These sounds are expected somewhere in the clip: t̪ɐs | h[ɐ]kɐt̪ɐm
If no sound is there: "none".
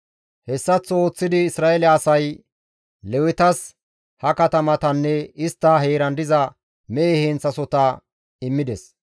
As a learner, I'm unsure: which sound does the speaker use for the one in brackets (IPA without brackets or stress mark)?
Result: ɐ